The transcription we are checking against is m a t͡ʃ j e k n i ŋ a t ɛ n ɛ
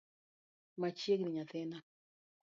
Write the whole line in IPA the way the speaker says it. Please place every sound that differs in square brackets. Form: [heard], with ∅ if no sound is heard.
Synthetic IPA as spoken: m a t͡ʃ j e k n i [ɲ] a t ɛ n [a]